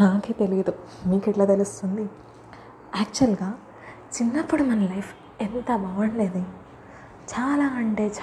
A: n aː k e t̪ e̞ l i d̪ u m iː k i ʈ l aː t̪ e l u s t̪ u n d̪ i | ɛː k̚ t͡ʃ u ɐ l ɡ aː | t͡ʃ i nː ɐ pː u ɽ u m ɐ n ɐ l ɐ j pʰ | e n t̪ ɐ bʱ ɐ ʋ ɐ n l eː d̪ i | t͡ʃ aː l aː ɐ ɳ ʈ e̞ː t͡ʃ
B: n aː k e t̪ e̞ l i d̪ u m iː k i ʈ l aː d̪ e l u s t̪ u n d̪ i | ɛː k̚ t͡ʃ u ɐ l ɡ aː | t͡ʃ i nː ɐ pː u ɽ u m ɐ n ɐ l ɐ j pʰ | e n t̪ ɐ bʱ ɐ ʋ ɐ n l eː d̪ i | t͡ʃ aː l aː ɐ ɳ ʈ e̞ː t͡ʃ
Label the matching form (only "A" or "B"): A